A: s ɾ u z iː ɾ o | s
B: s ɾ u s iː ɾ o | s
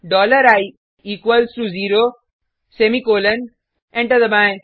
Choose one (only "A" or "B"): A